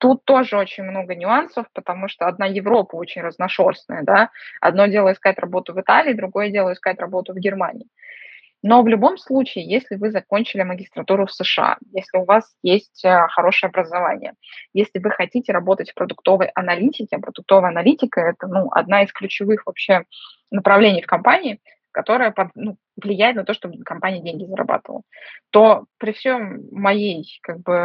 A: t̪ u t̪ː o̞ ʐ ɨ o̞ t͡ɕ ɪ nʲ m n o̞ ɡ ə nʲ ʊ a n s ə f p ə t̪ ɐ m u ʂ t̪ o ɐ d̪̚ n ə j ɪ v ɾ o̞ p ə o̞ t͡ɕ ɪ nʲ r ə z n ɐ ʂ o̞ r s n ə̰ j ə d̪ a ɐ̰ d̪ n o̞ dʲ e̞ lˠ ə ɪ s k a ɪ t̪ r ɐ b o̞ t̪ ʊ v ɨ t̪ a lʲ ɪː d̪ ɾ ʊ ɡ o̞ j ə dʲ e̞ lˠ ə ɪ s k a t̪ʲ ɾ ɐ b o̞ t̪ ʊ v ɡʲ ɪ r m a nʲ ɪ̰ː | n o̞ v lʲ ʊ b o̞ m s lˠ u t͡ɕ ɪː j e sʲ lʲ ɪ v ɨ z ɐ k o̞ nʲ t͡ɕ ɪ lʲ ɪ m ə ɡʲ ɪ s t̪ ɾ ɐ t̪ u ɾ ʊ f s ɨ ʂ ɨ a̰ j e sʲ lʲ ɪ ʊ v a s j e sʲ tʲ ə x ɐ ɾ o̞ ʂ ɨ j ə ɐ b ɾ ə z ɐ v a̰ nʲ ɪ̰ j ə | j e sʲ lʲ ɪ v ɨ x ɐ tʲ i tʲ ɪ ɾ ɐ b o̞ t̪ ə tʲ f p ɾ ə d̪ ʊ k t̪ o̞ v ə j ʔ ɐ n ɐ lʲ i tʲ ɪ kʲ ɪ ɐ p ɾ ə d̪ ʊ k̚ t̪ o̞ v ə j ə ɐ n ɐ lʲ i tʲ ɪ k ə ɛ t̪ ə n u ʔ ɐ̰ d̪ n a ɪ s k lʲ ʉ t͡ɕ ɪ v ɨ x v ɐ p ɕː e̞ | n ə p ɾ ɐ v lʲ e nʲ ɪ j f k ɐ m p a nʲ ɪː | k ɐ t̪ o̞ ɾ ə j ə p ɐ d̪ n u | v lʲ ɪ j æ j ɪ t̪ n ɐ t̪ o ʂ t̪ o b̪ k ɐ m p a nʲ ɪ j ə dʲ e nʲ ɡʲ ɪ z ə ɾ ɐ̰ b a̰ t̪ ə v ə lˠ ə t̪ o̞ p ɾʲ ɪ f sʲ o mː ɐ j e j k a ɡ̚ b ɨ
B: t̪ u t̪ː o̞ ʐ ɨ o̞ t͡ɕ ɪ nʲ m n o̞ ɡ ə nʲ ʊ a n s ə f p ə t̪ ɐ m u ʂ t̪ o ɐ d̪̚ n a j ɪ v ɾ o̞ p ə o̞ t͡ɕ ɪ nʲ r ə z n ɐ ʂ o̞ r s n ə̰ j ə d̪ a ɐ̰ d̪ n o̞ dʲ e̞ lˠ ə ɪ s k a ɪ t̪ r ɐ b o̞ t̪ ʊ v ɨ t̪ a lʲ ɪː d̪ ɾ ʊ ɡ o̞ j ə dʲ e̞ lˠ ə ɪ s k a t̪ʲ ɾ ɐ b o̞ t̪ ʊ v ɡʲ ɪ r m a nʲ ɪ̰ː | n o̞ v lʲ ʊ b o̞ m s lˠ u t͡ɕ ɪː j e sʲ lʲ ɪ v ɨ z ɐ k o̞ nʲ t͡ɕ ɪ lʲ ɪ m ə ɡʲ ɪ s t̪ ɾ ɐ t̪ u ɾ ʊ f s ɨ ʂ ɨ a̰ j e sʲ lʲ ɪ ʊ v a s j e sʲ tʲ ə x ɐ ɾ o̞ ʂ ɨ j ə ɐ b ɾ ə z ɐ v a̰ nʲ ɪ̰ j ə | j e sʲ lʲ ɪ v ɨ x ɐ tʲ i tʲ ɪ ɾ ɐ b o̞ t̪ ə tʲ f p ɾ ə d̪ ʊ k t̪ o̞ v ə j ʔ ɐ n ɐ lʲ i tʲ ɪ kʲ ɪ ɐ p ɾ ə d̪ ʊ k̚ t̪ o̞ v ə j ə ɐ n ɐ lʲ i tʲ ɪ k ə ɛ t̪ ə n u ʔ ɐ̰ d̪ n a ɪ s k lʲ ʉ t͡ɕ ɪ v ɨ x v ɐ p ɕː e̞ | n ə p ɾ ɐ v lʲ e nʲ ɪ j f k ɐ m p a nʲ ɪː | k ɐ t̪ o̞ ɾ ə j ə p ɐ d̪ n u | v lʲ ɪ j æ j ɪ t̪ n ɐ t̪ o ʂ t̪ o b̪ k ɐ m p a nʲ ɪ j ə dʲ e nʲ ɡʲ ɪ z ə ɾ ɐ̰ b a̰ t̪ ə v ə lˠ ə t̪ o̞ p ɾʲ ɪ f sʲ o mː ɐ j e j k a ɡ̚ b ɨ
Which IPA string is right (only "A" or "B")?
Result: B